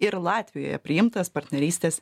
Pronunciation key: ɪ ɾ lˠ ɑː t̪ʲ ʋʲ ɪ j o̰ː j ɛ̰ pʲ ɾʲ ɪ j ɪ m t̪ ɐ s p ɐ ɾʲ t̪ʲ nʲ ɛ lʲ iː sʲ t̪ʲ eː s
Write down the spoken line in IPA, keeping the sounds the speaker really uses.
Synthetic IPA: ɪ ɾ lˠ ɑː t̪ʲ ʋʲ ɪ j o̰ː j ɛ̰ pʲ ɾʲ ɪ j ɪ m t̪ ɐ s p ɐ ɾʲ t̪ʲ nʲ ɛ ɾʲ iː sʲ t̪ʲ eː s

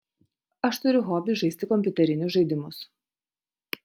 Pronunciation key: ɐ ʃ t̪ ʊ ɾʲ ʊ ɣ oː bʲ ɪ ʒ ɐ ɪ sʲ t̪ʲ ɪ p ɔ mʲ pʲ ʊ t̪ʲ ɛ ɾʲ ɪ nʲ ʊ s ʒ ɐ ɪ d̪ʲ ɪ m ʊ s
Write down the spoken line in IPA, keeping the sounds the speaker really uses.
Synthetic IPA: ɐ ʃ t̪ ʊ ɾʲ ʊ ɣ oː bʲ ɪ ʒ ɐ ɪ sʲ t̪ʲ ɪ k ɔ mʲ pʲ ʊ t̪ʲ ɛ ɾʲ ɪ nʲ ʊ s ʒ ɐ ɪ d̪ʲ ɪ m ʊ s

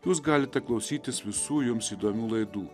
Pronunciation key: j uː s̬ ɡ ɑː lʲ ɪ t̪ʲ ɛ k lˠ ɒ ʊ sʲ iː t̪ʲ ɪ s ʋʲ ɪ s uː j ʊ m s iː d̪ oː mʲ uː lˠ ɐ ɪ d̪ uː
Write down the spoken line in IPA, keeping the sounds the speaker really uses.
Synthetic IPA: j uː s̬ ɡ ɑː lʲ ɪ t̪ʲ ɛ k lˠ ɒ ʊ sʲ iː t̪ʲ ɪ s ʋʲ ɪ s uː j ʊ m s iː d̪ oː mʲ uː lˠ ɐ ɪ d̪ uː

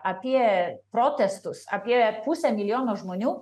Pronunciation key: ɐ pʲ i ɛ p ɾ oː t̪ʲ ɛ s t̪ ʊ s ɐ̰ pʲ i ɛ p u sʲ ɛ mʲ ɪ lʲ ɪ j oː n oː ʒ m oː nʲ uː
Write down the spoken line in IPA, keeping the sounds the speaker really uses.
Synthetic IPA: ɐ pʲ i ɛ p ɾ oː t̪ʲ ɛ s t̪ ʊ s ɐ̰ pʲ i ɛ p u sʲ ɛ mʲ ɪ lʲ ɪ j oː n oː ʒ m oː nʲ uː

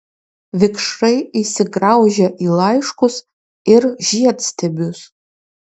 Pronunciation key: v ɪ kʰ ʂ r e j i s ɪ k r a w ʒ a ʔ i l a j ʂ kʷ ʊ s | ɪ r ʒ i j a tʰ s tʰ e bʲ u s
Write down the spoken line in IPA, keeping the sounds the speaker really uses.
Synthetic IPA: v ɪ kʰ ʂ r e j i s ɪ ɡ r a w ʒ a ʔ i l a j ʂ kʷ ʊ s | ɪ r ʒ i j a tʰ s tʰ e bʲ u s

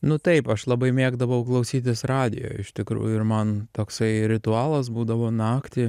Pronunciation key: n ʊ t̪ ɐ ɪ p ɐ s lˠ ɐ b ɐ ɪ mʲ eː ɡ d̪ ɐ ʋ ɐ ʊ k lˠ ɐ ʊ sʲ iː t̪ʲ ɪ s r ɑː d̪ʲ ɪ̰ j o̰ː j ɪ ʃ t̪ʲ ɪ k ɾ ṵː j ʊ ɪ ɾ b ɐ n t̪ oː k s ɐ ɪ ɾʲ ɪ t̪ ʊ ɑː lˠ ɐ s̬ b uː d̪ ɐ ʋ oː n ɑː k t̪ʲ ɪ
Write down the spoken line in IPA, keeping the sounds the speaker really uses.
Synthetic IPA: n ʊ t̪ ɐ ɪ p ɐ ʃ lˠ ɐ b ɐ ɪ mʲ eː ɡ d̪ ɐ ʋ ɐ ʊ k lˠ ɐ ʊ sʲ iː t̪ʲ ɪ s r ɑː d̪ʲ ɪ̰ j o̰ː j ɪ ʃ t̪ʲ ɪ k ɾ ṵː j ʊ ɪ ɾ m ɐ n t̪ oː k s ɐ ɪ ɾʲ ɪ t̪ ʊ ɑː lˠ ɐ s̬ b uː d̪ ɐ ʋ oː n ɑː k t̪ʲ ɪ

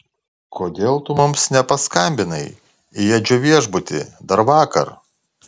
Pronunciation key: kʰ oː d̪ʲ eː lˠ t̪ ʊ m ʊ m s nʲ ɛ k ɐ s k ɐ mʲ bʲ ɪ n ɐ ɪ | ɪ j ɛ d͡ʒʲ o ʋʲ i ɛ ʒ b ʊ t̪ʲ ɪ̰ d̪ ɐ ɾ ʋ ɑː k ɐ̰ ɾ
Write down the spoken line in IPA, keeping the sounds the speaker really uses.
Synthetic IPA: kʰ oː d̪ʲ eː lˠ t̪ ʊ m ʊ m s nʲ ɛ p ɐ s k ɐ mʲ bʲ ɪ n ɐ ɪ | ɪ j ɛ d͡ʒʲ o ʋʲ i ɛ ʒ b ʊ t̪ʲ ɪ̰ d̪ ɐ ɾ ʋ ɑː k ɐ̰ ɾ

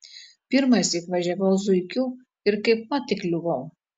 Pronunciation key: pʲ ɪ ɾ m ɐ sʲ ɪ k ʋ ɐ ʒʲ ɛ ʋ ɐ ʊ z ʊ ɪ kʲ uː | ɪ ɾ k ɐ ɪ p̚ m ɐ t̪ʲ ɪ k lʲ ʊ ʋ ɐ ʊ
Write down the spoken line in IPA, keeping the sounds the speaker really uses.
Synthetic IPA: pʲ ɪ ɾ m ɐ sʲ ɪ k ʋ ɐ ʒʲ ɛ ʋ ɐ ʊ z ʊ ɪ kʲ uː | ɪ ɾ k ɐ ɪ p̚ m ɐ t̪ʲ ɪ k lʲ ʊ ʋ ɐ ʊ

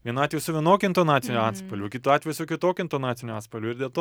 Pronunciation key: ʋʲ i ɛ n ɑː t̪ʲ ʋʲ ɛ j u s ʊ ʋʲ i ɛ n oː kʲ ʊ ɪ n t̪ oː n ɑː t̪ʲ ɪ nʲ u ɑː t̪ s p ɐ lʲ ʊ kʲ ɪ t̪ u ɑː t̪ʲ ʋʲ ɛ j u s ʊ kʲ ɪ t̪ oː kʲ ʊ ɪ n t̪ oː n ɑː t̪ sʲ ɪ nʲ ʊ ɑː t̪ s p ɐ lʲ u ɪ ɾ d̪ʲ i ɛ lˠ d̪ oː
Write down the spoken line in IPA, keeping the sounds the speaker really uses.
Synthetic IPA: ʋʲ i ɛ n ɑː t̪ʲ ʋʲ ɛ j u s ʊ ʋʲ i ɛ n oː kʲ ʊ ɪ n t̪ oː n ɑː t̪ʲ ɪ nʲ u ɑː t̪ s p ɐ lʲ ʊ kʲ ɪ t̪ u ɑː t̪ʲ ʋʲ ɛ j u s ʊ kʲ ɪ t̪ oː kʲ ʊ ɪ n t̪ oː n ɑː t̪ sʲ ɪ nʲ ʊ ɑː t̪ s p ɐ lʲ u ɪ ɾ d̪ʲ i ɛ lˠ t̪ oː

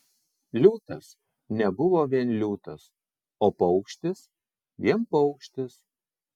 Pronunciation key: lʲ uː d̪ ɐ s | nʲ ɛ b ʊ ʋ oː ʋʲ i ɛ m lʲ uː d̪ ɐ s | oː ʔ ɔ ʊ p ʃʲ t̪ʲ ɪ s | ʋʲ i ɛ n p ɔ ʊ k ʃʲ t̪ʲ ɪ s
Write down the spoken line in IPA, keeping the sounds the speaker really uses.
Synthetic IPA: lʲ uː t̪ ɐ s | nʲ ɛ b ʊ ʋ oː ʋʲ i ɛ n lʲ uː t̪ ɐ s | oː p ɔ ʊ k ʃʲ t̪ʲ ɪ s | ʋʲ i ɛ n p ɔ ʊ k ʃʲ t̪ʲ ɪ s

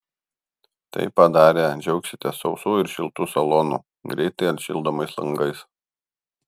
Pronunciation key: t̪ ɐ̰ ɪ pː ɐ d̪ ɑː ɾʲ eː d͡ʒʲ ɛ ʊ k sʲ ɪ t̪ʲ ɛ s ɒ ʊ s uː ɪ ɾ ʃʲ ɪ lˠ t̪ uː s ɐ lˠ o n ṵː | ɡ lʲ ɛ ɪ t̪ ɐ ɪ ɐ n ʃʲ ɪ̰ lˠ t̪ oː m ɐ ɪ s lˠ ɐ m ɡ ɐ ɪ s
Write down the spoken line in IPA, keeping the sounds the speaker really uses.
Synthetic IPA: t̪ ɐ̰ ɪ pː ɐ d̪ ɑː ɾʲ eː d͡ʒʲ ɛ ʊ k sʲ ɪ t̪ʲ ɛ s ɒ ʊ s uː ɪ ɾ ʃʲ ɪ lˠ t̪ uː s ɐ lˠ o n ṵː | ɡ ɾʲ ɛ ɪ t̪ ɐ ɪ ɐ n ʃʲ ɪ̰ lˠ d̪ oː m ɐ ɪ s lˠ ɐ ŋ ɡ ɐ ɪ s

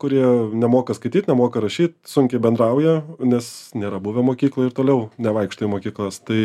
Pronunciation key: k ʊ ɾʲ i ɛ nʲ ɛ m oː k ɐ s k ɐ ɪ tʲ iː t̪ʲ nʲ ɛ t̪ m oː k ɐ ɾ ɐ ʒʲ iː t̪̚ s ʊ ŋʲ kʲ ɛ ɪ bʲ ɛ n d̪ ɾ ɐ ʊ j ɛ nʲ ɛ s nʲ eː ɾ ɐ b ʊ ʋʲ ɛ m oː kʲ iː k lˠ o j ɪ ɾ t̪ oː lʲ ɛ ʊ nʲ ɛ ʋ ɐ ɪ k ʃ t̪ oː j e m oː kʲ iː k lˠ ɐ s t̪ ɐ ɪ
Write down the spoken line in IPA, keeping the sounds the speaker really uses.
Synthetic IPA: k ʊ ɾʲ i ɛ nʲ ɛ m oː k ɐ s k ɐ ɪ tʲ iː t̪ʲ nʲ ɛ m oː k ɐ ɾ ɐ ʃʲ iː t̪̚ s ʊ ŋʲ kʲ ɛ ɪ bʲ ɛ n d̪ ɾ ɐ ʊ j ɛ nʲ ɛ s nʲ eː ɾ ɐ b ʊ ʋʲ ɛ m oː kʲ iː k lˠ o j ɪ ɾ t̪ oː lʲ ɛ ʊ nʲ ɛ ʋ ɐ ɪ k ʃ t̪ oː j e m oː kʲ iː k lˠ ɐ s t̪ ɐ ɪ

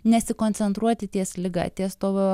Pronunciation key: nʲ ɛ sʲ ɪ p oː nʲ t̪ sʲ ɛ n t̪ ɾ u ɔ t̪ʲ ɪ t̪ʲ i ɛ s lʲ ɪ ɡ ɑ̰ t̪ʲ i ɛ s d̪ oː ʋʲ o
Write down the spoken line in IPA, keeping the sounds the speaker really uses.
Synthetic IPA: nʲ ɛ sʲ ɪ k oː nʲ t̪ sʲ ɛ n t̪ ɾ u ɔ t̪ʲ ɪ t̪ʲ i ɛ s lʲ ɪ ɡ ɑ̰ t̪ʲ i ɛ s t̪ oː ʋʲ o

